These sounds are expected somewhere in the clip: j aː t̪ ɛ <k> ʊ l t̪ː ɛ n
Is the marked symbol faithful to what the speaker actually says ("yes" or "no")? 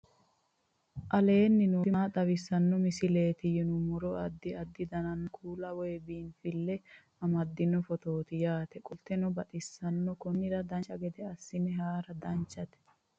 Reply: no